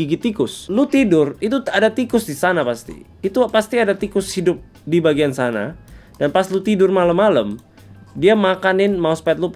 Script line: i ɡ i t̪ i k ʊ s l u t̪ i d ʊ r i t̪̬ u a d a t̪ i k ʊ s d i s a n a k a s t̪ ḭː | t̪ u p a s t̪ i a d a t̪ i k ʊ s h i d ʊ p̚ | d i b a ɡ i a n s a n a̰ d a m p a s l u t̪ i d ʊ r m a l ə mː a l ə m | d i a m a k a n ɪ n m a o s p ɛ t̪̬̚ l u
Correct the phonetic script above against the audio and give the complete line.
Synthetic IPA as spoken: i ɡ i t̪ i k ʊ s l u t̪ i d ʊ r i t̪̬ u a d a t̪ i k ʊ s d i s a n a p a s t̪ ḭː | t̪ u p a s t̪ i a d a t̪ i k ʊ s h i d ʊ p̚ | d i b a ɡ i a n s a n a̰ d a n p a s l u t̪ i d ʊ r m a l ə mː a l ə m | d i a m a k a n ɪ n m a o s p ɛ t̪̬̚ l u